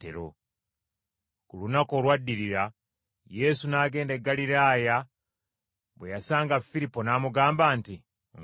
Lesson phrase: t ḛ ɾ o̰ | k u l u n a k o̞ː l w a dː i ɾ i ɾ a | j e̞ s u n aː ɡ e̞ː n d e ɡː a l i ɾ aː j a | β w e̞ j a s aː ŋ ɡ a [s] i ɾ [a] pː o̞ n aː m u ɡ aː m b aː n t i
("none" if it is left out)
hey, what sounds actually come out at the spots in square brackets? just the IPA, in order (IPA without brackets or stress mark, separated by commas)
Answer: f, i